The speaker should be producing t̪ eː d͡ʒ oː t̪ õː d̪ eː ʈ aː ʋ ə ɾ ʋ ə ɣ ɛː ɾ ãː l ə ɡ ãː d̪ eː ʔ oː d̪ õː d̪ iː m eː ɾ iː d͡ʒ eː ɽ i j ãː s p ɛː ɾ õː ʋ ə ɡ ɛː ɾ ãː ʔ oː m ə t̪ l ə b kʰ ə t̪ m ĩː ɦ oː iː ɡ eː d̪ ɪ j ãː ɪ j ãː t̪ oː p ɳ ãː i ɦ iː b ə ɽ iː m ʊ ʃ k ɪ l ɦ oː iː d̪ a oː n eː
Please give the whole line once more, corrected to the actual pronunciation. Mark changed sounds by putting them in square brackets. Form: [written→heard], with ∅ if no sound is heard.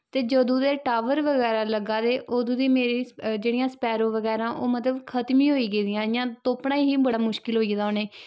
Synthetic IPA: t̪ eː d͡ʒ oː [t̪→d̪] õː d̪ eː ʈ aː ʋ ə ɾ ʋ ə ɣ ɛː ɾ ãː l ə ɡ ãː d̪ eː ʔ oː d̪ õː d̪ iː m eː ɾ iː d͡ʒ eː ɽ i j ãː s p ɛː ɾ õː ʋ ə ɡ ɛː ɾ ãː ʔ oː m ə t̪ l ə b kʰ ə t̪ m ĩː ɦ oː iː ɡ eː d̪ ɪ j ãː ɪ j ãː t̪ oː p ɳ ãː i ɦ iː b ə ɽ [iː→aː] m ʊ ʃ k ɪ l ɦ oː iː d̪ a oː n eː